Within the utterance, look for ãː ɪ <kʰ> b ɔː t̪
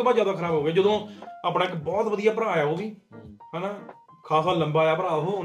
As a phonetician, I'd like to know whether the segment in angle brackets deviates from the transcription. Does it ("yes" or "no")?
yes